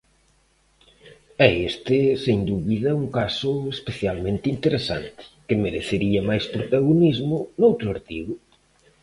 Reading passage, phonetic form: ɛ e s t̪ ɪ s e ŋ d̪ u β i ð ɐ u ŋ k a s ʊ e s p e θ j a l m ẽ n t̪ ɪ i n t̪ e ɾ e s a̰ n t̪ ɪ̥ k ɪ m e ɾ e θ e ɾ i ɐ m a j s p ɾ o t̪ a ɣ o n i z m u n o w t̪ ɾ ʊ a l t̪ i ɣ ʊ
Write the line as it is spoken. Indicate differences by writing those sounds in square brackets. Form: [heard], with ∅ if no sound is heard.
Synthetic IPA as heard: ɛ e s t̪ ɪ s e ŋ d̪ u β i ð ɐ u ŋ k a s ʊ e s p e θ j a l m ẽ n t̪ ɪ i n t̪ e ɾ e s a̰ n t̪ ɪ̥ k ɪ m e ɾ e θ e ɾ i ɐ m a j s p ɾ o t̪ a ɣ o n i z m [ʊ] n o w t̪ ɾ ʊ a [ɾ] t̪ i ɣ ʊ